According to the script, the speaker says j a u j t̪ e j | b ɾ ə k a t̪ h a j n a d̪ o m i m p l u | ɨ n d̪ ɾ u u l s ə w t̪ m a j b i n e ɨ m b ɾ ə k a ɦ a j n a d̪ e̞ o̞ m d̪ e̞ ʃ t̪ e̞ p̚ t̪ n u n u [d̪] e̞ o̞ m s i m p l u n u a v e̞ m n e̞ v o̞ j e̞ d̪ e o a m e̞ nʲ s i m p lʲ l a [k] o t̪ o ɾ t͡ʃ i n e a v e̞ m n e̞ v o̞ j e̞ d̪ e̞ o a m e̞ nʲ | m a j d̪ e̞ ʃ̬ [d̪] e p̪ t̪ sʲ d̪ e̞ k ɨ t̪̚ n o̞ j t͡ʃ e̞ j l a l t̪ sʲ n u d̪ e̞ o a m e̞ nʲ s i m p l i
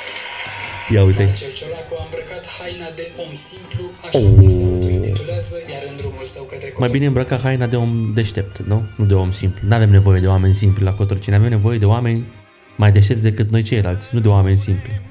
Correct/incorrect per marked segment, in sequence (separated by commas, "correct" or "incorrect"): correct, correct, incorrect